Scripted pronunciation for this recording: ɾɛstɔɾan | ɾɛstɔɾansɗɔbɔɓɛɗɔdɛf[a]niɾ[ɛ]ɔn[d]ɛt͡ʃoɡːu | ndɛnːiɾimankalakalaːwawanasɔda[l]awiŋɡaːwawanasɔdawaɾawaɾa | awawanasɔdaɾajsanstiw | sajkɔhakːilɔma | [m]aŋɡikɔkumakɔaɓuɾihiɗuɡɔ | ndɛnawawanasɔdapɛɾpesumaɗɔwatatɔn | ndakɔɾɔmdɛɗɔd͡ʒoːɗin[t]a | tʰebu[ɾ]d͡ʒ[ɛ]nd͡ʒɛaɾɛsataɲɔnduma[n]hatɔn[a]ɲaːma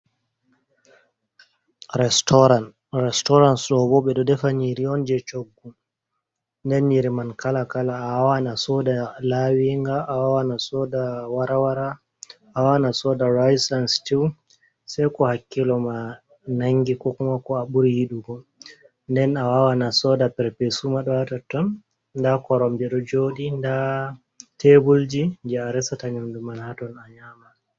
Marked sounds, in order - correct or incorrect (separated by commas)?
correct, incorrect, incorrect, correct, incorrect, incorrect, incorrect, incorrect, correct, correct